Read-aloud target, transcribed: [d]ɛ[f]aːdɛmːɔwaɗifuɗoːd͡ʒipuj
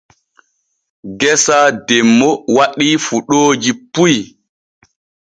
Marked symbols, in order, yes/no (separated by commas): no, no